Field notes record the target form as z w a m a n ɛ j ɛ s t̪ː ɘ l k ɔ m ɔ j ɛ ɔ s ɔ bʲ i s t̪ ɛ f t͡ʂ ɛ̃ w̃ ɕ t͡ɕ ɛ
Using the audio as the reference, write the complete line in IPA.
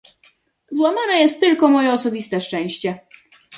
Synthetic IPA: z w a m a n ɛ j ɛ s t̪ː ɘ l k ɔ m ɔ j ɛ ɔ s ɔ bʲ i s t̪ ɛ ʂ t͡ʂ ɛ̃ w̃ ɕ t͡ɕ ɛ